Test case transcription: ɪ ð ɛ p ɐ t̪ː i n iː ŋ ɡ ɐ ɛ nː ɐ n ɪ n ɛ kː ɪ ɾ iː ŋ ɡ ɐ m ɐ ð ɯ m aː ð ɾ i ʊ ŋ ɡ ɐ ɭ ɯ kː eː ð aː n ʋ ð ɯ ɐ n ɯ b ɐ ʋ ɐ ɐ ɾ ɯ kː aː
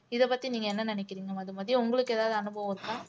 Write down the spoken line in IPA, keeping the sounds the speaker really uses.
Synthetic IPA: ɪ ð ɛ p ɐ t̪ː i n iː ŋ ɡ ɐ ɛ nː ɐ n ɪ n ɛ kː ɪ ɾ iː ŋ ɡ ɐ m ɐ ð ɯ m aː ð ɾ i ʊ ŋ ɡ ɐ ɭ ɯ kː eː ð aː ʋ ð ɯ ɐ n ɯ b ɐ ʋ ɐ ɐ ɾ ɯ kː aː